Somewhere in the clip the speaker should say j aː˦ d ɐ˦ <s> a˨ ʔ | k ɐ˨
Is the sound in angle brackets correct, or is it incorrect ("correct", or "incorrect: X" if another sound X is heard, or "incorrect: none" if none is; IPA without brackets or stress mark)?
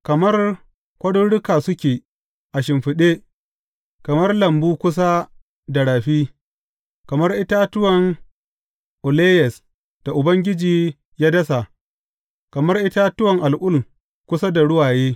correct